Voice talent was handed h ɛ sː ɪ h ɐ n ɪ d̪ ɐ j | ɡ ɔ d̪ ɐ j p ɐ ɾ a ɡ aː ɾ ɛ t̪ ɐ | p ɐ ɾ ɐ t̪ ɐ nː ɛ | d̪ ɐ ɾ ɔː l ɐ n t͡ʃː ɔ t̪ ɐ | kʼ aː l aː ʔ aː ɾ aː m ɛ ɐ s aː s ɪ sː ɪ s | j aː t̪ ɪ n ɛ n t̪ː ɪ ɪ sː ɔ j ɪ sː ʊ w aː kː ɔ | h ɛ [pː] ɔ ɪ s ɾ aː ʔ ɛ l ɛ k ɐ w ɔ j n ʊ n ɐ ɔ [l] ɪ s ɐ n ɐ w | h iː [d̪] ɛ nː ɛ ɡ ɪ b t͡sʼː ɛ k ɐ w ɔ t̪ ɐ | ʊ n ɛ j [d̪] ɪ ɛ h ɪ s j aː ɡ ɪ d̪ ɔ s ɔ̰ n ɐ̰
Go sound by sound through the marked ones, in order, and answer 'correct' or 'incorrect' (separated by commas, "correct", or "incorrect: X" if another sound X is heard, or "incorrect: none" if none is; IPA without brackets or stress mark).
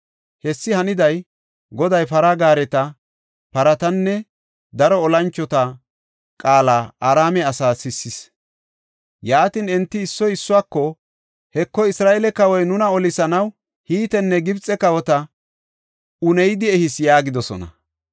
incorrect: kː, correct, incorrect: t̪, correct